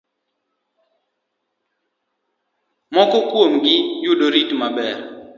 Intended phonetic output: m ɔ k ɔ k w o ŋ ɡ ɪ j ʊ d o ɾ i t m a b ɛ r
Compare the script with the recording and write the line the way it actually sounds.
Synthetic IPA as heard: m ɔ k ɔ k w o m ɡ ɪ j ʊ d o ɾ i t m a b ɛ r